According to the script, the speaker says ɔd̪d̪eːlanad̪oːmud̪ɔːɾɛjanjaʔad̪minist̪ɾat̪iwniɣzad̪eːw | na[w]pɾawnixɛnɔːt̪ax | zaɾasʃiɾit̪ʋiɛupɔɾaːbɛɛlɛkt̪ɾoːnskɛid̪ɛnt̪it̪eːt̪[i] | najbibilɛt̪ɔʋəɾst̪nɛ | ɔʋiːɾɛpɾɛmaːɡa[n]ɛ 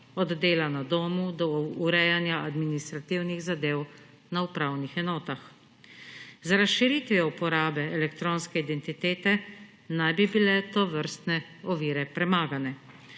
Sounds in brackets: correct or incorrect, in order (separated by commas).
incorrect, incorrect, correct